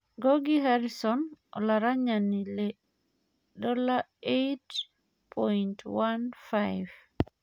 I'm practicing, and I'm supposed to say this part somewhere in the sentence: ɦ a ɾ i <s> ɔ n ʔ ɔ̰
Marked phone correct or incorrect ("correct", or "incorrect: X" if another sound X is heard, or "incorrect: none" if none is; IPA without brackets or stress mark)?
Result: correct